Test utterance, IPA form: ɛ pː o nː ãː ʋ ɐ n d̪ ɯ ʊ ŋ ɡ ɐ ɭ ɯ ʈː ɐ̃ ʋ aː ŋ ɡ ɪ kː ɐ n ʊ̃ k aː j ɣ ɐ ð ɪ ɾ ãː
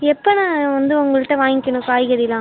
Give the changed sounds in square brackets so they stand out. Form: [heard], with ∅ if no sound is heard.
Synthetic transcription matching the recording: ɛ pː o [n] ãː ʋ ɐ n d̪ ɯ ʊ ŋ ɡ ɐ ɭ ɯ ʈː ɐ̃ ʋ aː ŋ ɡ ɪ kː ɐ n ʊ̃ k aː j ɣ ɐ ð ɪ [l] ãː